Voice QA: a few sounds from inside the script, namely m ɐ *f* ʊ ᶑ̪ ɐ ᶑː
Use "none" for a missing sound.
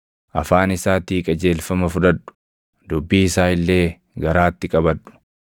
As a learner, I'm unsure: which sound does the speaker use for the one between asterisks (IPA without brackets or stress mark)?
f